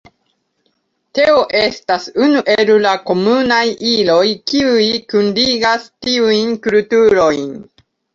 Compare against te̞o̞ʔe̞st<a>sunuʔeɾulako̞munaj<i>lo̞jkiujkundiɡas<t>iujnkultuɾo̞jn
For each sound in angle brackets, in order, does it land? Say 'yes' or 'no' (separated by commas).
yes, yes, yes